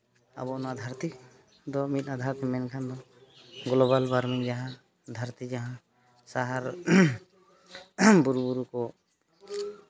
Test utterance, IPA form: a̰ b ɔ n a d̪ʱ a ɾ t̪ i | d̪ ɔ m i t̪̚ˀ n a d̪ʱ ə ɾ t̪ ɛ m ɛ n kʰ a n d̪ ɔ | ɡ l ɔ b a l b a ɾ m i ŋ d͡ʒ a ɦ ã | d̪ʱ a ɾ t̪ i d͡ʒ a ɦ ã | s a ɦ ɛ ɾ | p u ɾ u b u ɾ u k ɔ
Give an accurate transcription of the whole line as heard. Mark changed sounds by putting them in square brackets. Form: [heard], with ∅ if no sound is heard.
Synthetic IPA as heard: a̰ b ɔ n a d̪ʱ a ɾ t̪ i | d̪ ɔ m i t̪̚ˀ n a d̪ʱ [a] ɾ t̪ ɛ m ɛ n kʰ a n d̪ ɔ | ɡ l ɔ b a l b a ɾ m i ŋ d͡ʒ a ɦ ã | d̪ʱ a ɾ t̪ i d͡ʒ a ɦ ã | s a ɦ [a] ɾ | [b] u ɾ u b u ɾ u k ɔ